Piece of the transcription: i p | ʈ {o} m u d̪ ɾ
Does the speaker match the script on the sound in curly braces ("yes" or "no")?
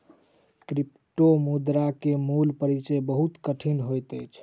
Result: yes